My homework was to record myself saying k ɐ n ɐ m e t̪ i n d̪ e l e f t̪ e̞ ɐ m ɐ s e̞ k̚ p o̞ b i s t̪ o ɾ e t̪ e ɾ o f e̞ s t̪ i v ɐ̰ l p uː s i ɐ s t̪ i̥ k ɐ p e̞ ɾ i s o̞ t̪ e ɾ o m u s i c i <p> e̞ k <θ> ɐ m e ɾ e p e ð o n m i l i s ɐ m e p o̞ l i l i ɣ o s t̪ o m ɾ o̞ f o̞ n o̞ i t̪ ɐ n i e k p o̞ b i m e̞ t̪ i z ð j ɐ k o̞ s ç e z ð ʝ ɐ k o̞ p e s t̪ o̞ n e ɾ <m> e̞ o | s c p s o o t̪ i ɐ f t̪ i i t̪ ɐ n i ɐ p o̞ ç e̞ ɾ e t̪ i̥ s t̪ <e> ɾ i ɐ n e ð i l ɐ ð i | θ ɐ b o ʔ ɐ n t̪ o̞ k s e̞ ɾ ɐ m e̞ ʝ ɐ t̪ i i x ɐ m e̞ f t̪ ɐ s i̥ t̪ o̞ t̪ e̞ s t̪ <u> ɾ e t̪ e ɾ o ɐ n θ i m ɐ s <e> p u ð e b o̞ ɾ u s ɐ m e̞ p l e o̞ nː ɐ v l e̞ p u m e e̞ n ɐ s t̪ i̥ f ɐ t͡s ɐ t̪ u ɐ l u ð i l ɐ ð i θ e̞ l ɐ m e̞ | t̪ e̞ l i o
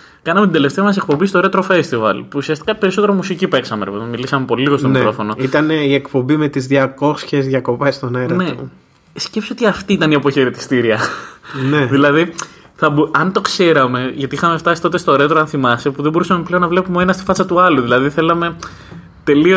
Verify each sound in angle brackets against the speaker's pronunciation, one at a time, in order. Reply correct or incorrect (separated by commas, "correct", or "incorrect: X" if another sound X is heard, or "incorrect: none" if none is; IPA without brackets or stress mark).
correct, incorrect: s, incorrect: n, incorrect: i, incorrect: o, correct